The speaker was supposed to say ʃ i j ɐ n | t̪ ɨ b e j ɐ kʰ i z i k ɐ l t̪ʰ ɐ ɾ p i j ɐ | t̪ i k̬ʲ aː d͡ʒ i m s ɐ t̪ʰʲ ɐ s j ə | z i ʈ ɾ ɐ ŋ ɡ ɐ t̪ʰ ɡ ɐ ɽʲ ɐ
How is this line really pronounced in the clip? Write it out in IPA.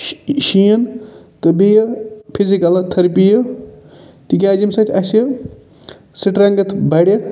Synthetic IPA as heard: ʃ i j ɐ n | t̪ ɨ b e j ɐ pʰ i z i k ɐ l t̪ʰ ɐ ɾ p i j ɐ | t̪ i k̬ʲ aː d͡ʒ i m s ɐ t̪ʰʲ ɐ s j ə | s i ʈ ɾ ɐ ŋ ɡ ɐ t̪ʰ b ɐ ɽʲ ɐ